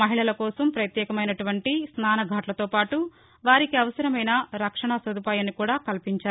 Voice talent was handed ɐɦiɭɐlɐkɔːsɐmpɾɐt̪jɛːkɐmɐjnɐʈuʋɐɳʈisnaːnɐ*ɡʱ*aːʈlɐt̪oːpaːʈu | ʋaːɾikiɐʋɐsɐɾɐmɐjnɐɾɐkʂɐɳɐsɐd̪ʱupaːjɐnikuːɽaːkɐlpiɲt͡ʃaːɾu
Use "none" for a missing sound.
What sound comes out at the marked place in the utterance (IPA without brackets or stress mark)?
ɡʱ